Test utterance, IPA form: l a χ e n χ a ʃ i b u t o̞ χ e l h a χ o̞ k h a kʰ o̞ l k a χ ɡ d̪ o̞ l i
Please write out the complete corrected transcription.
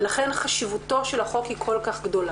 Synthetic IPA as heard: l a χ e n χ a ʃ i v u t o̞ ʃ e l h a χ o̞ k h i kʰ o̞ l k a χ ɡ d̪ o̞ l a